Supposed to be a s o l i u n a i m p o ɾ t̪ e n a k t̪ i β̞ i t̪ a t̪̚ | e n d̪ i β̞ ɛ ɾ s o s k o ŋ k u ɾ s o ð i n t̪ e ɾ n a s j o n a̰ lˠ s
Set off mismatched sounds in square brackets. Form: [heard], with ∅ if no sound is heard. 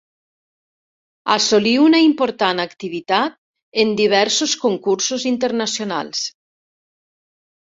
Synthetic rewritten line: a s o l i u n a i m p o ɾ t̪ [a] n a k t̪ i β̞ i t̪ a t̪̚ | e n d̪ i β̞ ɛ ɾ s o s k o ŋ k u ɾ s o [z] i n t̪ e ɾ n a s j o n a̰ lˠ s